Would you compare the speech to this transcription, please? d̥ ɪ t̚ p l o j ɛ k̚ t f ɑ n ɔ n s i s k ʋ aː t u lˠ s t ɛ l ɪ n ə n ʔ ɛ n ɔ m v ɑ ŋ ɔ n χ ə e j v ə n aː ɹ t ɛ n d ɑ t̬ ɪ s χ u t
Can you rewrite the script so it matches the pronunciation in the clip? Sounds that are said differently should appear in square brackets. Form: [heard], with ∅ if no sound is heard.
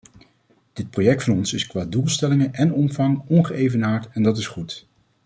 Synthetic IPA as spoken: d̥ ɪ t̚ p [r] o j ɛ k̚ t f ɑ n ɔ n s [ɪ] s k ʋ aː [d] u lˠ s t ɛ l ɪ [ŋ] ə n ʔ ɛ n ɔ m v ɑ ŋ ɔ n χ ə e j v ə n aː ɹ t ɛ n d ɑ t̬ ɪ s χ u t